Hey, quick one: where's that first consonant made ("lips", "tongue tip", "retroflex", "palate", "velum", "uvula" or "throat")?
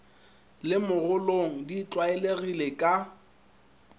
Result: tongue tip